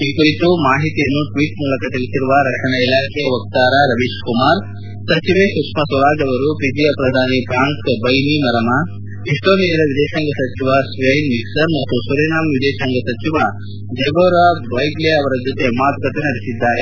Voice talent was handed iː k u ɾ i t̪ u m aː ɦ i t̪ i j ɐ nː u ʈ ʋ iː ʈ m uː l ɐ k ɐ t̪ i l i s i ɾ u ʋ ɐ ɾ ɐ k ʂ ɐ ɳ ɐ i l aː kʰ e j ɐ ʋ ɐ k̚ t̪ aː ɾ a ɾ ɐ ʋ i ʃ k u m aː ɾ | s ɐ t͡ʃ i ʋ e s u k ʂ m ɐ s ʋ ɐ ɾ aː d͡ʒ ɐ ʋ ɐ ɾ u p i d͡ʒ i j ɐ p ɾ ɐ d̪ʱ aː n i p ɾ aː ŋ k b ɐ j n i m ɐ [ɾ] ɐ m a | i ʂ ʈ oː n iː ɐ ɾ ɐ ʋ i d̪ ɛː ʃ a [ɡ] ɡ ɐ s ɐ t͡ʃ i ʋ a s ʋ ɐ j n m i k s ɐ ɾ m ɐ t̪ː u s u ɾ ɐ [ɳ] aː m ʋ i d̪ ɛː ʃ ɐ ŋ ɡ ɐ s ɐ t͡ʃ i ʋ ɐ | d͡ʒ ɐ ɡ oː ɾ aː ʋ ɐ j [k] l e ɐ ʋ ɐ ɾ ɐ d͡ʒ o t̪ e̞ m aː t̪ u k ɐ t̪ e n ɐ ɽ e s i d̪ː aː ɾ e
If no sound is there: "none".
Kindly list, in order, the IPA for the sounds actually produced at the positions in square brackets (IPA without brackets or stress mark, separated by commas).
ɾ, ŋ, n, ɡ